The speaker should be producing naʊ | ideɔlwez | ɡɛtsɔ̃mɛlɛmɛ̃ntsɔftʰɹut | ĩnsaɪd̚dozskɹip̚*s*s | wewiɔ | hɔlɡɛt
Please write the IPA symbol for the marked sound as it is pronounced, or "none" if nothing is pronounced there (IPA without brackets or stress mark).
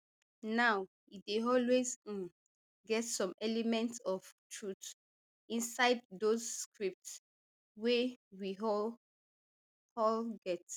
t